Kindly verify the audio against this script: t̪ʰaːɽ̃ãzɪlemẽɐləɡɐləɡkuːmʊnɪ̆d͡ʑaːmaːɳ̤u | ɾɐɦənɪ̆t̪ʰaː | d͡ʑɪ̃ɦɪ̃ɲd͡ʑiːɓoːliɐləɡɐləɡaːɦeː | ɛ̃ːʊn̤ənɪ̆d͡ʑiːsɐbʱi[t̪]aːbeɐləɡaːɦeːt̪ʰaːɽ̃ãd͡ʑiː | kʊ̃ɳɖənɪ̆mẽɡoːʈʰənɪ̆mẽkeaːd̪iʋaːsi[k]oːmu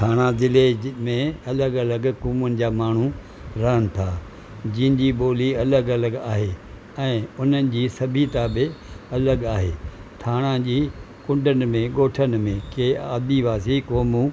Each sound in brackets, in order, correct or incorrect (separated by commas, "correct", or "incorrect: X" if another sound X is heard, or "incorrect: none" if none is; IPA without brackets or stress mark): correct, correct